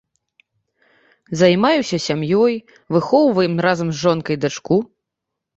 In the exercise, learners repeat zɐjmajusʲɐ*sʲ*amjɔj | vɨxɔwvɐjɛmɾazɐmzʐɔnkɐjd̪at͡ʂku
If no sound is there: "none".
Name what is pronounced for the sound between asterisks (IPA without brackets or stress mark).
sʲ